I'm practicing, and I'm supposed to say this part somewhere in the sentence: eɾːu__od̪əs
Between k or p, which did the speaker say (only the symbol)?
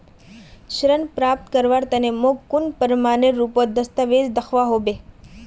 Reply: p